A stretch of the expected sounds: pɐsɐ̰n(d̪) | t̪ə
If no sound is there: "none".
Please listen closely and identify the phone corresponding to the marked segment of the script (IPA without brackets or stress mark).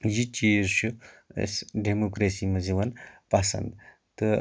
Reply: d̪